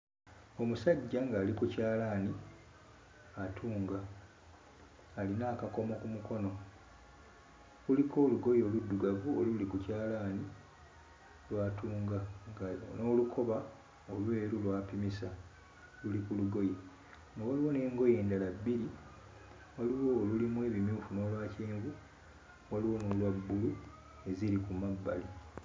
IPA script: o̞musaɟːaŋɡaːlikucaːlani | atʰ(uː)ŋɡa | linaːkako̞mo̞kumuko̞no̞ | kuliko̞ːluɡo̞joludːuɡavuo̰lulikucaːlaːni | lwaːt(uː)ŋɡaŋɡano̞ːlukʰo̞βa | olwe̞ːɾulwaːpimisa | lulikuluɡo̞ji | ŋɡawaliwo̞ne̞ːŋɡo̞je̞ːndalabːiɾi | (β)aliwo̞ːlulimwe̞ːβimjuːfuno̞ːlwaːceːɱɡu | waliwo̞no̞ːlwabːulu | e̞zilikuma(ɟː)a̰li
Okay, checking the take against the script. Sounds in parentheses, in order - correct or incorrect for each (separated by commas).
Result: correct, correct, incorrect, incorrect